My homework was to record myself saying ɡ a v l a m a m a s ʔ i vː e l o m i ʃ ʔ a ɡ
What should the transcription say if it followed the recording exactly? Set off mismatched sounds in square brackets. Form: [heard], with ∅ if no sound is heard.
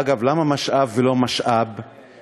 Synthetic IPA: ɡ a v l a m a m a [ʃ] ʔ [a] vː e l o m [a] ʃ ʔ a [b]

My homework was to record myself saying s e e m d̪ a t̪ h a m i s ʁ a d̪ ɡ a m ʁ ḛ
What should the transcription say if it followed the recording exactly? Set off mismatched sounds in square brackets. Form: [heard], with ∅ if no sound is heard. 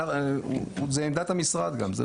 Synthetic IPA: [z] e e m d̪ a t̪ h a m i s ʁ a d̪ ɡ a m [z] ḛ

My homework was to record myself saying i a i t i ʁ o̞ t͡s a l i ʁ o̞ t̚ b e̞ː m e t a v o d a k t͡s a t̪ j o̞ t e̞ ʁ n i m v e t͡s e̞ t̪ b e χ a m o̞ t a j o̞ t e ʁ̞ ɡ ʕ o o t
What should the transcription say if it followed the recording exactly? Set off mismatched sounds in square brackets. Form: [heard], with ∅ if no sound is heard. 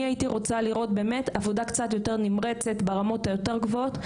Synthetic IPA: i a i t i ʁ o̞ t͡s a l i ʁ o̞ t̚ b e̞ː m e t a v o d a k t͡s a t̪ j o̞ t e̞ ʁ n i m [ʁ] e t͡s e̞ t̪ b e [ʁ] a m o̞ t a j o̞ t e ʁ̞ ɡ [v] o o t

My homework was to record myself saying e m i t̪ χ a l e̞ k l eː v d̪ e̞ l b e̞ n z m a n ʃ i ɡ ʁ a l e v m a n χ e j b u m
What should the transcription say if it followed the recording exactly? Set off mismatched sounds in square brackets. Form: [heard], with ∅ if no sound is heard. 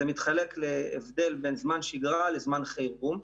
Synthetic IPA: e m i t̪ χ a l e̞ k l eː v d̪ e̞ l b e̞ n z m a n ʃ i ɡ ʁ a l e [z] m a n χ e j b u m

